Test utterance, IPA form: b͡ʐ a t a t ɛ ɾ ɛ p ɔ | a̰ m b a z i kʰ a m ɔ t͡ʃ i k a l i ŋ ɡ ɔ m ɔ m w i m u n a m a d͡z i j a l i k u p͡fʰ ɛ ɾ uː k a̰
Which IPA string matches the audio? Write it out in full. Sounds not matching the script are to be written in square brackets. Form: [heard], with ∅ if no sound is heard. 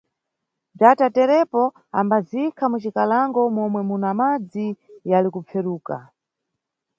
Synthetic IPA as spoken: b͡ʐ a t a t ɛ ɾ ɛ p ɔ | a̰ m b a z i kʰ a m [u] t͡ʃ i k a l [a] ŋ ɡ ɔ m ɔ m w [ɛ] m u n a m a d͡z i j a l i k u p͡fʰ ɛ ɾ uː k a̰